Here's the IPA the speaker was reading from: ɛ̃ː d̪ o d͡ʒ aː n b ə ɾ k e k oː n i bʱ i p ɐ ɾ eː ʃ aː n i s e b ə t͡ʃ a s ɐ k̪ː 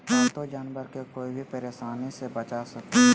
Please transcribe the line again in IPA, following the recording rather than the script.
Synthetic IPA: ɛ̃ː t̪ o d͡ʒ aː n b ə ɾ k e k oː i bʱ i p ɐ ɾ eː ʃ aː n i s e b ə t͡ʃ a s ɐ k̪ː